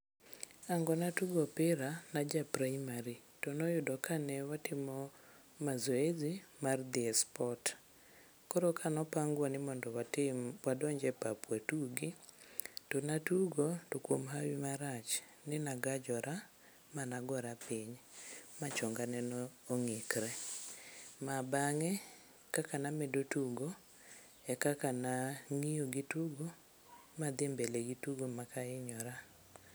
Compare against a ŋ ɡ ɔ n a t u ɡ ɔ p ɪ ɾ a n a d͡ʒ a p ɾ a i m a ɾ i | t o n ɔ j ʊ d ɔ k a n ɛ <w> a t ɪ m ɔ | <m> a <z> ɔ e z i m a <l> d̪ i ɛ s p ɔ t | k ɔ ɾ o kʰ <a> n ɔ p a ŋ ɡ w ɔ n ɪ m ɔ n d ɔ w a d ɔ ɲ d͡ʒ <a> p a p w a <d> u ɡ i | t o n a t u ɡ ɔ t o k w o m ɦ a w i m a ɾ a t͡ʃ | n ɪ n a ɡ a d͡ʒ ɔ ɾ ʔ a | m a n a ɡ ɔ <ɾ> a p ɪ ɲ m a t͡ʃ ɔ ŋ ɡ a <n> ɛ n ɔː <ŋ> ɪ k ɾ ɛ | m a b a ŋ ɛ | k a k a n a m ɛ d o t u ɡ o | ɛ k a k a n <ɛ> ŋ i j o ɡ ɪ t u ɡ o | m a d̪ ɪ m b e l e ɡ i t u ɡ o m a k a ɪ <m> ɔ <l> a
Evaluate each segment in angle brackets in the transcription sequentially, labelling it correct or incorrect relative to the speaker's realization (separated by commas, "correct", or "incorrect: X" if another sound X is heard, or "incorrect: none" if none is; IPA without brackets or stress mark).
correct, correct, correct, incorrect: r, correct, incorrect: ɛ, incorrect: t, correct, correct, correct, incorrect: a, incorrect: ɲ, incorrect: ɾ